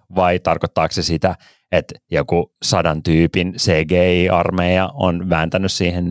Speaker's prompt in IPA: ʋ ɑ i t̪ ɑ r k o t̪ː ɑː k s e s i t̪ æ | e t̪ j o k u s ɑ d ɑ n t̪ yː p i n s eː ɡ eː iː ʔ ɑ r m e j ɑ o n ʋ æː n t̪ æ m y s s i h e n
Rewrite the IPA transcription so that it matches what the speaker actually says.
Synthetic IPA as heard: ʋ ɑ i t̪ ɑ r k o t̪ː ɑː k s e s i t̪ æ | e t̪ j o k u s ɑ d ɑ n t̪ yː p i n s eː ɡ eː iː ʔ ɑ r m e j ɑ o n ʋ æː n t̪ æ n y s s iː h e n